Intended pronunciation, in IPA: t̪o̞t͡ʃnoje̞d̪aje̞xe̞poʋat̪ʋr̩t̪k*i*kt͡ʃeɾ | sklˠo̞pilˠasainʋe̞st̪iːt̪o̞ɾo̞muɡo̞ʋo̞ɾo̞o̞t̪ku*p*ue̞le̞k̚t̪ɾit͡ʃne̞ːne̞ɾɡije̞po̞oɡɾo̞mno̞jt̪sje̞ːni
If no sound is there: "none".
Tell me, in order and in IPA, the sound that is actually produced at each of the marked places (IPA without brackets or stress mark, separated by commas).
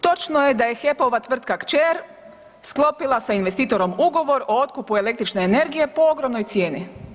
a, p